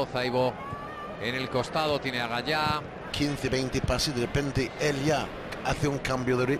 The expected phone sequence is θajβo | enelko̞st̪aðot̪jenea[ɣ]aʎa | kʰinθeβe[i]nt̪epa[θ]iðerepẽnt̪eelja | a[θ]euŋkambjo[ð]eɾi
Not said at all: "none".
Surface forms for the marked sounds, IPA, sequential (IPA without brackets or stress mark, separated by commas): ɣ, j, s, θ, ð